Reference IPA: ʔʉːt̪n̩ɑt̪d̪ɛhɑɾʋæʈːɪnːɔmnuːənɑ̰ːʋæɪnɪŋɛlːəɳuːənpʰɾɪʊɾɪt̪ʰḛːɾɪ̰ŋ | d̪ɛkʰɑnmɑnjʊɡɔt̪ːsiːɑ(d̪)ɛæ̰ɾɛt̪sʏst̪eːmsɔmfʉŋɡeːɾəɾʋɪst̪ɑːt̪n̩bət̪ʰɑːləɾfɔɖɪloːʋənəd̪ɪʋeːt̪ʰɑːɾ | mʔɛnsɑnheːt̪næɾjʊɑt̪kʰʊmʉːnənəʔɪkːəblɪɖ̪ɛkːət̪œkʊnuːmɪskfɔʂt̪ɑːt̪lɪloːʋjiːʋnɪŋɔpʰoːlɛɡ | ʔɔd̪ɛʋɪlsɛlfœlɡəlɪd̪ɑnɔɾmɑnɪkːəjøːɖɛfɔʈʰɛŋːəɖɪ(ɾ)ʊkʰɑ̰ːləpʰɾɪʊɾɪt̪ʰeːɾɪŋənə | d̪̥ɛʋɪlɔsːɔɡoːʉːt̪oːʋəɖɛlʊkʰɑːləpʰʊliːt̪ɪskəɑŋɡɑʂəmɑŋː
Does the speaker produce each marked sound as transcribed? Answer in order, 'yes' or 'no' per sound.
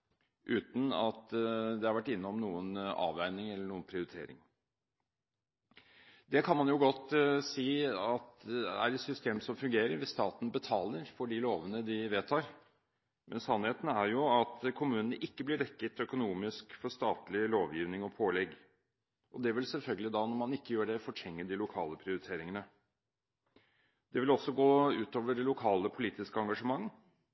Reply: no, no

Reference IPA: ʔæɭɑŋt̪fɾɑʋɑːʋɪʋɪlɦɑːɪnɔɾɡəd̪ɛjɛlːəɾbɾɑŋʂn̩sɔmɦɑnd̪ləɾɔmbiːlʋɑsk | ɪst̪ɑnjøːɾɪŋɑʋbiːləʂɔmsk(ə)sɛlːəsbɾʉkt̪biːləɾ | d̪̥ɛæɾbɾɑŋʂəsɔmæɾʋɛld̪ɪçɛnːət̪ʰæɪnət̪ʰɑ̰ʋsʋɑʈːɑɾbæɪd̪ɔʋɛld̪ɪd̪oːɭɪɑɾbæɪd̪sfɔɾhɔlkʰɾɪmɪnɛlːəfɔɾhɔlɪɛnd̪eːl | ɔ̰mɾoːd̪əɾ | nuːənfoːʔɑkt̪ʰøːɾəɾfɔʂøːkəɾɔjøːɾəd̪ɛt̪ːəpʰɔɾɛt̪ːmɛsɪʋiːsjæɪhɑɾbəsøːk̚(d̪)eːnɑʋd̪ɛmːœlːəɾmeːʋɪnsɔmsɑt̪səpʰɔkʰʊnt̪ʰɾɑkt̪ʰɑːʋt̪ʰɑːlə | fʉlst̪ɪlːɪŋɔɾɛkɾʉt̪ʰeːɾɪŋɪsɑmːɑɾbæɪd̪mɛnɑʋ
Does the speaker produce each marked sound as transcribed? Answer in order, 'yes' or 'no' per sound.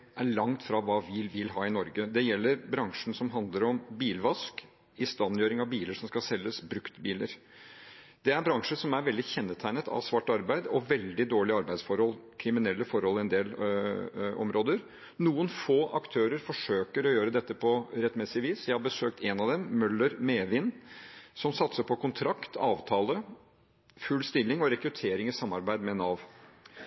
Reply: no, no

